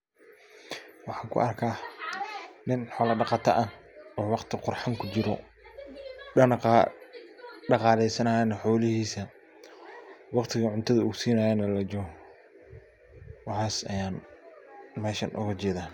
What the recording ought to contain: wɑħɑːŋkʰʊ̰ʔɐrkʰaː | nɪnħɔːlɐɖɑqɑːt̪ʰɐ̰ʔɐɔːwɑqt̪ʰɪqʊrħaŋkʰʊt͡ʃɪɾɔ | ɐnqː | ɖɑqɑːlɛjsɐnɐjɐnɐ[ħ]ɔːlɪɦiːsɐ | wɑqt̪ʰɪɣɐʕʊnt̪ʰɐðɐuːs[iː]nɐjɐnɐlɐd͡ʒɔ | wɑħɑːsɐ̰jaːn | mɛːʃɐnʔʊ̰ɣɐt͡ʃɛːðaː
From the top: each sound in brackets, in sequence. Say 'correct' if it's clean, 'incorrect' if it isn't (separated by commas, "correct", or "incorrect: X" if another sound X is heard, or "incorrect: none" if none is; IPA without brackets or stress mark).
correct, correct